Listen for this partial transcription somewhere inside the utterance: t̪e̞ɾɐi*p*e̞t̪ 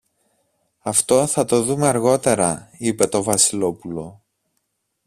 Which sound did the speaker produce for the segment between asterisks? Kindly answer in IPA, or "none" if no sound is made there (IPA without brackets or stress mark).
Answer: p